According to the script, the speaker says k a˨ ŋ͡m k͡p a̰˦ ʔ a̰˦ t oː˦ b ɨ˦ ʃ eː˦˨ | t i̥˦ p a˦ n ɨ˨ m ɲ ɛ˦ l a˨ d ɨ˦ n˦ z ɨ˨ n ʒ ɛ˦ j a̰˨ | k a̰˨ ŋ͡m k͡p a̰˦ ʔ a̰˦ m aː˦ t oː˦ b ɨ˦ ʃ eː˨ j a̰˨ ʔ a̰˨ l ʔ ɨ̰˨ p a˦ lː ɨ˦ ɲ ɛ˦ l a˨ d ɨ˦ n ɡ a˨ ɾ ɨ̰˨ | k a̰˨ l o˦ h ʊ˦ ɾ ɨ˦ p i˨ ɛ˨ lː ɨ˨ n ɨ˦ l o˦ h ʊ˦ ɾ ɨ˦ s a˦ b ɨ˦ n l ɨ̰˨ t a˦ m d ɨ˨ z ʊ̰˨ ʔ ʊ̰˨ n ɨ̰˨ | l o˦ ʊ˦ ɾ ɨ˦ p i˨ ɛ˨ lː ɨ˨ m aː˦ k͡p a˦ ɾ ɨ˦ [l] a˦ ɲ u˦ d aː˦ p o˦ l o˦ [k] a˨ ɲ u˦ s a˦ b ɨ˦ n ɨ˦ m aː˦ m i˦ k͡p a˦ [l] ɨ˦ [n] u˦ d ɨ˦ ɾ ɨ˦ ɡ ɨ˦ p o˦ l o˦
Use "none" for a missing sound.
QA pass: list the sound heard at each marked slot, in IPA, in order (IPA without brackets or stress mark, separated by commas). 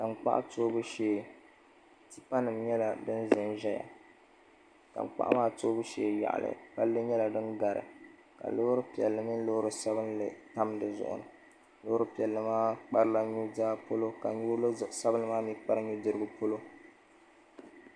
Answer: l, k, ɾ, ɲ